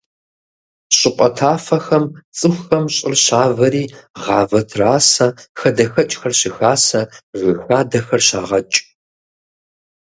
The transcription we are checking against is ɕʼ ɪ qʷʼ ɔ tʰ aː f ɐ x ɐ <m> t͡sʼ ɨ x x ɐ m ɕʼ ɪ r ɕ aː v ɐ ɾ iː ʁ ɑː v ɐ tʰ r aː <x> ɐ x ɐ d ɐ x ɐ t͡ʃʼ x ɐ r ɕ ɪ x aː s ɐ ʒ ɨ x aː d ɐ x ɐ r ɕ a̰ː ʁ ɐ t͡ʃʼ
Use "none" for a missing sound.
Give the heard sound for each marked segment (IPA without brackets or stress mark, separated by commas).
m, s